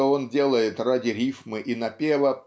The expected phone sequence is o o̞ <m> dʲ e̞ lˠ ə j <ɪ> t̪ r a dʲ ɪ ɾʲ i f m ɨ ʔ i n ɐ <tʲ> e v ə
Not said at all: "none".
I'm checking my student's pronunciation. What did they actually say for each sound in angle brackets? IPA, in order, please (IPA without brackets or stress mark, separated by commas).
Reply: n, ɪ, pʲ